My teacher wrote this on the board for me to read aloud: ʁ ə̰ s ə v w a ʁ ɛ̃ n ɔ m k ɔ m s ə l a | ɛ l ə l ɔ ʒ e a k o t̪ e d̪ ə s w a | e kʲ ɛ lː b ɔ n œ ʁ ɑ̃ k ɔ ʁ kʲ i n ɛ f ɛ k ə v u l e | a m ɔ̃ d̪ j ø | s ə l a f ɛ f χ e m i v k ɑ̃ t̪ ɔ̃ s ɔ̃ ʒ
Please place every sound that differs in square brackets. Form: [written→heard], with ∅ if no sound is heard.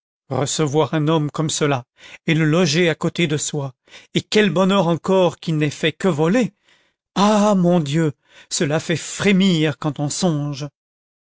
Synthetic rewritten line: ʁ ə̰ s ə v w a ʁ ɛ̃ n ɔ m k ɔ m s ə l a | [ɛ→e] l ə l ɔ ʒ e a k o t̪ e d̪ ə s w a | e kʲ ɛ [lː→l] b ɔ n œ ʁ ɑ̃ k ɔ ʁ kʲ i n ɛ f ɛ k ə v [u→ɔ] l e | a m ɔ̃ d̪ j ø | s ə l a f ɛ f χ e m i [v→ʁ] k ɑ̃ t̪ ɔ̃ s ɔ̃ ʒ